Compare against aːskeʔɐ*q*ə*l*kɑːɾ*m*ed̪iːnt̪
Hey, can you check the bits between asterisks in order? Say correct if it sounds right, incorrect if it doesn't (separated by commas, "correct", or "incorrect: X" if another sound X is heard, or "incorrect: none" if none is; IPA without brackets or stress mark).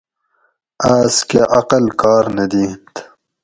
correct, correct, incorrect: n